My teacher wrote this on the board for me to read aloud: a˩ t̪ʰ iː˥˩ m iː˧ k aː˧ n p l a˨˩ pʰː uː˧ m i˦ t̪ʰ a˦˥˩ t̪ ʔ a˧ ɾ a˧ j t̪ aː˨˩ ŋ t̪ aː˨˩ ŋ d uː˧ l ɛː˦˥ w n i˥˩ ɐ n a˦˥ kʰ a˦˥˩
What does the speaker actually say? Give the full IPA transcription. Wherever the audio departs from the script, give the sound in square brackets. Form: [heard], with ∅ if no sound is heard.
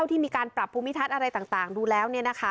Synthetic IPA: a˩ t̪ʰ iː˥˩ m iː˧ k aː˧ n p [ɾ] a˨˩ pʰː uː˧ m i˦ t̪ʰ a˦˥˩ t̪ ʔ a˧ ɾ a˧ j t̪ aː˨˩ ŋ t̪ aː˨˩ ŋ d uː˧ l ɛː˦˥ w n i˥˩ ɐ n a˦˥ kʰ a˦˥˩

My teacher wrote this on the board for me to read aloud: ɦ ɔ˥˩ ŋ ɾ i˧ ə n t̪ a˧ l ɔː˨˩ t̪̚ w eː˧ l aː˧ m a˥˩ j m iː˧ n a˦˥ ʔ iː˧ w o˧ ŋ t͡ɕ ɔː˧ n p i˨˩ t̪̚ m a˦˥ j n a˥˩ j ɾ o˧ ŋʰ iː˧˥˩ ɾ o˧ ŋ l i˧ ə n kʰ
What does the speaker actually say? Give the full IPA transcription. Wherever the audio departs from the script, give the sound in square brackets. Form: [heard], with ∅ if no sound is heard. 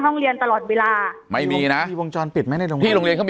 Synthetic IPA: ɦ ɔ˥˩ ŋ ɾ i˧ ə n t̪ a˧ l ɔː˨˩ t̪̚ w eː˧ l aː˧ m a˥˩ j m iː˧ n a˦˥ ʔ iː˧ w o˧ ŋ t͡ɕ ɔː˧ n p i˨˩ t̪̚ m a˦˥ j n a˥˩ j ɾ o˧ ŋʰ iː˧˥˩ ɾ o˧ ŋ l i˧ ə n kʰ

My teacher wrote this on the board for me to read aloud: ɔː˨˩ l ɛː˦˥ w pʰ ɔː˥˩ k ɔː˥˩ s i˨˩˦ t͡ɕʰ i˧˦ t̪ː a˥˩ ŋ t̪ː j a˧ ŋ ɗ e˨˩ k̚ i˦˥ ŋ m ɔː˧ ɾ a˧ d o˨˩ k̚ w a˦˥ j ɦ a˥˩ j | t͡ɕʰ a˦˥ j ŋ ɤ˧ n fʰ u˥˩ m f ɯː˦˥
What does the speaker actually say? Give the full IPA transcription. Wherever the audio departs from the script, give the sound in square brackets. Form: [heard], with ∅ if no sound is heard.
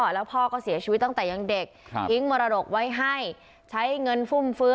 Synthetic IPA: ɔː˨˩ l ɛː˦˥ w pʰ ɔː˥˩ k ɔː˥˩ s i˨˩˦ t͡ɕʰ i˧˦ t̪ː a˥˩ ŋ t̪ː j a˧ ŋ [d] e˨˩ k̚ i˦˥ ŋ m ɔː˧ ɾ a˧ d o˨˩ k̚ w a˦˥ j ɦ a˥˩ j | t͡ɕʰ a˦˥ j ŋ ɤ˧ n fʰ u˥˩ m f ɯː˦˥

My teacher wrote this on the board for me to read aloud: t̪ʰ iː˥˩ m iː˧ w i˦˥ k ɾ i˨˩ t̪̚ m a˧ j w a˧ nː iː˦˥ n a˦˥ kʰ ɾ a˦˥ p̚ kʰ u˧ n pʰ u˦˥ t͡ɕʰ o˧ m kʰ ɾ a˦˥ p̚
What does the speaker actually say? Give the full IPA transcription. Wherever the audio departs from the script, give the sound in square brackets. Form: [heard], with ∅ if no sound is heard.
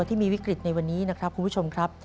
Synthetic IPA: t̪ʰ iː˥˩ m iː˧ w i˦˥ k ɾ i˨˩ t̪̚ [n] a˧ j w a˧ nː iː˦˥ n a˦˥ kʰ ɾ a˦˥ p̚ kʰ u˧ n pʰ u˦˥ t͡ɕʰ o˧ m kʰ ɾ a˦˥ p̚

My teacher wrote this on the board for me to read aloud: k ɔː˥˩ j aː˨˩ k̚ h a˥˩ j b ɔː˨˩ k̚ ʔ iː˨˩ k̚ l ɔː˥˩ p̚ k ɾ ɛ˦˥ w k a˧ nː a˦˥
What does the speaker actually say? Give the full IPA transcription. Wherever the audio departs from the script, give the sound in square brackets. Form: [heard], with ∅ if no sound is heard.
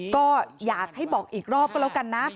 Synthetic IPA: k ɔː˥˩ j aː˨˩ k̚ h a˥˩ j b ɔː˨˩ k̚ ʔ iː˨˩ k̚ [ɾ] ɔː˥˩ p̚ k [l] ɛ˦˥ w k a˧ nː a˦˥

